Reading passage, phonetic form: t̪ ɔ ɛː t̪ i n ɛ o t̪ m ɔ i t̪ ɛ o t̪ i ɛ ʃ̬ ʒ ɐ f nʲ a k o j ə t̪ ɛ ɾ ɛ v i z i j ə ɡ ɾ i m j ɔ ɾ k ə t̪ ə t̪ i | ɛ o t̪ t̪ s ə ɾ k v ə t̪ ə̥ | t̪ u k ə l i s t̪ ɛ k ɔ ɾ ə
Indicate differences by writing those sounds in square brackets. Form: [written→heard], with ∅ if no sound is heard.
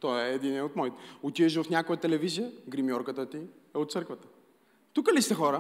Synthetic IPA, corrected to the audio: t̪ ɔ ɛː [t̪→d̪] i n ɛ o t̪ m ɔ i t̪ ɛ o t̪ i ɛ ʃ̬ [ʒ→v] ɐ f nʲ a k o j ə t̪ ɛ [ɾ→l] ɛ v i z i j ə ɡ ɾ i m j ɔ ɾ k ə t̪ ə t̪ i | ɛ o t̪ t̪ s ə ɾ k v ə t̪ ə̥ | t̪ u k ə l i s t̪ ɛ [k→x] ɔ ɾ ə